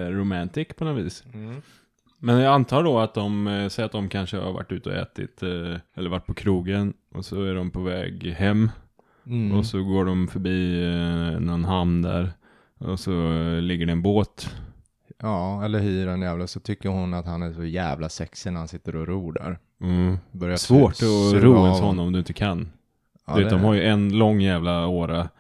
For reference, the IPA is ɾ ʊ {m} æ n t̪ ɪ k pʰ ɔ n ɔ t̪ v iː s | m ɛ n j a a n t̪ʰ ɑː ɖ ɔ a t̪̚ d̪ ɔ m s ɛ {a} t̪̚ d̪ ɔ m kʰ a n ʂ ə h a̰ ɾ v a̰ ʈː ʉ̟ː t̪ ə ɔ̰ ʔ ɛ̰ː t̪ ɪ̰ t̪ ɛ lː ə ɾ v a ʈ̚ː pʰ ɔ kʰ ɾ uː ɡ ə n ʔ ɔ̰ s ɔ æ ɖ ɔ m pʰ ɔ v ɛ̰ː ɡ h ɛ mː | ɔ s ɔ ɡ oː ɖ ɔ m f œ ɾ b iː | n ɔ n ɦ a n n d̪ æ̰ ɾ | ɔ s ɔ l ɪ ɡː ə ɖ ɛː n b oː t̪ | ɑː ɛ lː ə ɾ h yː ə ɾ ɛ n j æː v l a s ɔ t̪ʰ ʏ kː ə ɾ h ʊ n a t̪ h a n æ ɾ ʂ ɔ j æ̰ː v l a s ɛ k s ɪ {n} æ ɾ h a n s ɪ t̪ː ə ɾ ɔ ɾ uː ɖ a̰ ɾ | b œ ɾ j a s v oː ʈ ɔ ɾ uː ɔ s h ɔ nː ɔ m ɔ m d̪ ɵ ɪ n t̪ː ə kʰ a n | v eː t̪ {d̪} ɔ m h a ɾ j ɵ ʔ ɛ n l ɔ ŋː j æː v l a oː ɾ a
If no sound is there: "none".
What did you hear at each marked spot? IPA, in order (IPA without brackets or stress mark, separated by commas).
m, a, n, d̪